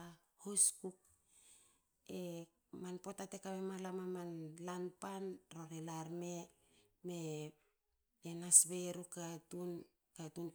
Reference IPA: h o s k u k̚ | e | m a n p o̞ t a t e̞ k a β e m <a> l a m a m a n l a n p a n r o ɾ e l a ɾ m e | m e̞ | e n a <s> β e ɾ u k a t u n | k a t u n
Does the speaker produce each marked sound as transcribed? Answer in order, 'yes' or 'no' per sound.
yes, yes

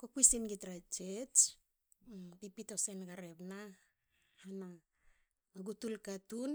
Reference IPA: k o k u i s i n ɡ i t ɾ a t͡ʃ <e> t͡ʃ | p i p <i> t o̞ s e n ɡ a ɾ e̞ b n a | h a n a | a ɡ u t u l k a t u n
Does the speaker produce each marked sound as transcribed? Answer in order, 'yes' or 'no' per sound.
yes, yes

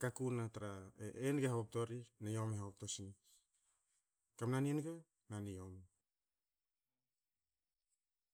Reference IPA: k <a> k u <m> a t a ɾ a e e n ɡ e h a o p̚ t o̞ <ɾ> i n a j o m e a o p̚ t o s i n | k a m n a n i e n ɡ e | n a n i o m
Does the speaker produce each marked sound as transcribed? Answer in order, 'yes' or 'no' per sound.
yes, no, yes

